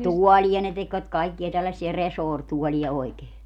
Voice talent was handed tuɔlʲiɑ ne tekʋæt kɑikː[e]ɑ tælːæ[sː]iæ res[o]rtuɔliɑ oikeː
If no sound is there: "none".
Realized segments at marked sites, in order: i, sː, oː

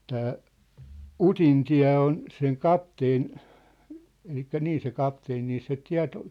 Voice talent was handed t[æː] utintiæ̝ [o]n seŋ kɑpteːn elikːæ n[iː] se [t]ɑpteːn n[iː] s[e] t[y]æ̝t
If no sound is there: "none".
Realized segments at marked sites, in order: æː, o, iː, k, iː, e, i

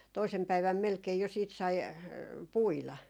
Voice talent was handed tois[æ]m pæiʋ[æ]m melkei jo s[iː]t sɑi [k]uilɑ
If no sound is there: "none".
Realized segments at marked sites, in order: e, æ, iː, p

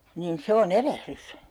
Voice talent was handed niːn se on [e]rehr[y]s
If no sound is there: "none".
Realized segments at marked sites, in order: e, y

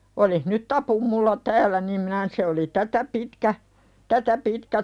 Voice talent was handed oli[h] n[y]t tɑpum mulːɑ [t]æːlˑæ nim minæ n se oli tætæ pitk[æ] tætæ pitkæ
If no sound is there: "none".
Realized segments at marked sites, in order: h, y, t, æ

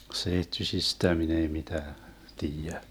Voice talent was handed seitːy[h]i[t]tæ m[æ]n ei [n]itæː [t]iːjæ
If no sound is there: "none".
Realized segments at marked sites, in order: s, s, i, m, t

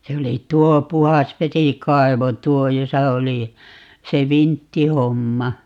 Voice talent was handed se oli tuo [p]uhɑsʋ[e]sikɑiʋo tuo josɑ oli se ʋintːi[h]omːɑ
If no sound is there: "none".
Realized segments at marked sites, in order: p, e, h

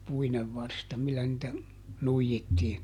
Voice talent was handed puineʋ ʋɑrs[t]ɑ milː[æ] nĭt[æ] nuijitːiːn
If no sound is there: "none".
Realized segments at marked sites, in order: t, æ, æ

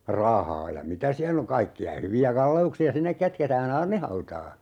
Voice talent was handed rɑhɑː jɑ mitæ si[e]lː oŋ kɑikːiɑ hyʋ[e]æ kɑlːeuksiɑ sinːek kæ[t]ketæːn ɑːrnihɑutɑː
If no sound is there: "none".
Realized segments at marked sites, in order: æ, i, t

